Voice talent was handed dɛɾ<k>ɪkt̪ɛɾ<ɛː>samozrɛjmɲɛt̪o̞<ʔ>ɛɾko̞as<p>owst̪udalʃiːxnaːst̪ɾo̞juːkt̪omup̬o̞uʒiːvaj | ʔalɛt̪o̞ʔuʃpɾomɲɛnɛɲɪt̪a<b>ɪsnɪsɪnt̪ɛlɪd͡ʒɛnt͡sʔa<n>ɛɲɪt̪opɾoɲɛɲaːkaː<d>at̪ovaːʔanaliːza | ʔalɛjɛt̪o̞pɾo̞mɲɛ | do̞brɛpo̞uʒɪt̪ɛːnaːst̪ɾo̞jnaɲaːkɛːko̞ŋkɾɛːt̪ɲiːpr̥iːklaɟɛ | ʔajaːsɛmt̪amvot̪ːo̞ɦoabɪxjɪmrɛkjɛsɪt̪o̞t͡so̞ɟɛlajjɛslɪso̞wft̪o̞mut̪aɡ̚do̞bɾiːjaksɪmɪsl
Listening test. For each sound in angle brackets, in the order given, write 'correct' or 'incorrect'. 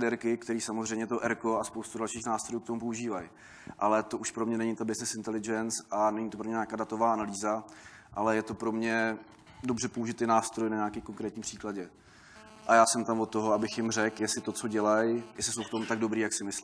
correct, incorrect: iː, correct, correct, correct, correct, correct

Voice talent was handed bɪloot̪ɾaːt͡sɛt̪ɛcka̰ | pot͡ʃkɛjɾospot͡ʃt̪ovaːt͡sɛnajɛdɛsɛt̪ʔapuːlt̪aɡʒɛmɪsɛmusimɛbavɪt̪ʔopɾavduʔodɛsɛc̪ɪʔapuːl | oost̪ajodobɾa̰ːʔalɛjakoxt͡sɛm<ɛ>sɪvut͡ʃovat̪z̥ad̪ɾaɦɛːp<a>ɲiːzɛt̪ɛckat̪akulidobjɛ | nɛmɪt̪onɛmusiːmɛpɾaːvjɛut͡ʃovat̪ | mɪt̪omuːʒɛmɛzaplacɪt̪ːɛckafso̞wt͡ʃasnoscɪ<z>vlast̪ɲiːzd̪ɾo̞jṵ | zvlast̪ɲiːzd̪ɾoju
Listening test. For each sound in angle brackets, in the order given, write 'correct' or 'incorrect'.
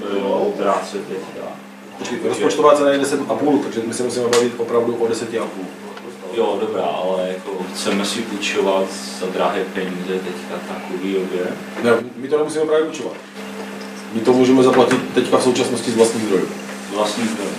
correct, incorrect: ɛ, correct

